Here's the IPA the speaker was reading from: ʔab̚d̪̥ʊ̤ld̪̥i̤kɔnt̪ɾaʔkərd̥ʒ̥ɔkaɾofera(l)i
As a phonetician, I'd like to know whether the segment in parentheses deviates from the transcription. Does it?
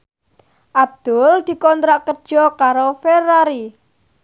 yes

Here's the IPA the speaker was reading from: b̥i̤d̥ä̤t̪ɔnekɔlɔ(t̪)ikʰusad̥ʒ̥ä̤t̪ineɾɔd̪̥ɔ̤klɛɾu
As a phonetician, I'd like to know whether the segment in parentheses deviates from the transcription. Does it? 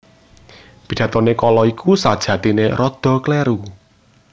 yes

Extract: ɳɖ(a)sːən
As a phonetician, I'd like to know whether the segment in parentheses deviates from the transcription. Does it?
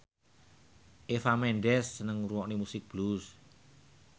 yes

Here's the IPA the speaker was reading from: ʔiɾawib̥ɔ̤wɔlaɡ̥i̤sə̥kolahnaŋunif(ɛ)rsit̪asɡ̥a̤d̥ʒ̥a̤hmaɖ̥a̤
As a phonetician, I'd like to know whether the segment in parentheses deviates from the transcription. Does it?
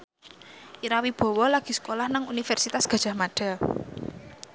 no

